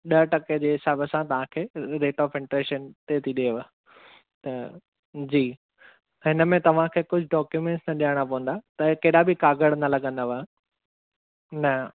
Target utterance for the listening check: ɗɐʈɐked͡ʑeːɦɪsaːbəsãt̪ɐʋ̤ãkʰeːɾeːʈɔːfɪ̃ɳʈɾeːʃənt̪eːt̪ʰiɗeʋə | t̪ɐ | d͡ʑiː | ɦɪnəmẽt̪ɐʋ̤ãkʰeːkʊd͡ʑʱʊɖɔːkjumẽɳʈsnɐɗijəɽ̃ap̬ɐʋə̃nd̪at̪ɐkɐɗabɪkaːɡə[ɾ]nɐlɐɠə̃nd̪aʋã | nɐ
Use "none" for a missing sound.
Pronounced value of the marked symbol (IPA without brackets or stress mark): ɽ